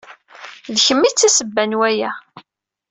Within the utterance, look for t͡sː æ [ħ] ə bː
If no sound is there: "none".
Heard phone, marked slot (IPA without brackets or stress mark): s